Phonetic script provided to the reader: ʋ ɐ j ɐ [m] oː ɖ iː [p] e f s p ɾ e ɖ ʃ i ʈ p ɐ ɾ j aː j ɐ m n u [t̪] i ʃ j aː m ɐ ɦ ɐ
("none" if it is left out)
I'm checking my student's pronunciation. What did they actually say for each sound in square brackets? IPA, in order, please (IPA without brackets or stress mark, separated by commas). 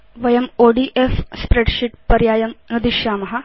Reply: m, ʔ, d̪